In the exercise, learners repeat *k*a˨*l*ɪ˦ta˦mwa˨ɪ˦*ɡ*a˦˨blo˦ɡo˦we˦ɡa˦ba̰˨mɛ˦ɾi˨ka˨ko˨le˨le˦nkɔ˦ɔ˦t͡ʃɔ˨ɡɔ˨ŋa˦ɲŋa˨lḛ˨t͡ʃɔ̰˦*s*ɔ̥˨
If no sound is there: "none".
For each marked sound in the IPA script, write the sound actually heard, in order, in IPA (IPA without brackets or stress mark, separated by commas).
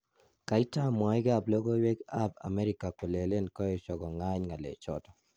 k, none, ɡ, t